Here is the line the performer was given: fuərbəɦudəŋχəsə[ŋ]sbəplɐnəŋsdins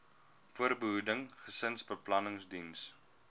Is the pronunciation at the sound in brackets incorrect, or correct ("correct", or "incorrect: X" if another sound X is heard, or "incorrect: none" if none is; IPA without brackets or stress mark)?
incorrect: n